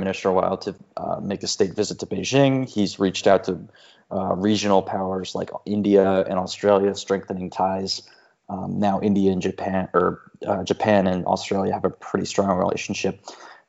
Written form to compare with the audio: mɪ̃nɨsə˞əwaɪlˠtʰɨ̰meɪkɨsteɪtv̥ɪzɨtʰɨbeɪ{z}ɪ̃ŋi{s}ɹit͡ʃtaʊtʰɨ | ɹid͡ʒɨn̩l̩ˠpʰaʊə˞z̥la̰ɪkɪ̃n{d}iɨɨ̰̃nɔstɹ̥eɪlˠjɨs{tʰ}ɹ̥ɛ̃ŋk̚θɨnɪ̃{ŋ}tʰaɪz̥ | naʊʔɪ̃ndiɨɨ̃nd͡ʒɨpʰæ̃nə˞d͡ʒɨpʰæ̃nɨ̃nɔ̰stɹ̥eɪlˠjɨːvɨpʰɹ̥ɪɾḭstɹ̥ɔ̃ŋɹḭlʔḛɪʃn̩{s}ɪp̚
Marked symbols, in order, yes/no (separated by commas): no, no, yes, no, yes, no